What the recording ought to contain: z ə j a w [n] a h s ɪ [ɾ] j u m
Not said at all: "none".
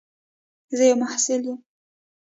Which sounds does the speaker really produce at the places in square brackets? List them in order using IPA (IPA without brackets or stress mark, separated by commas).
m, l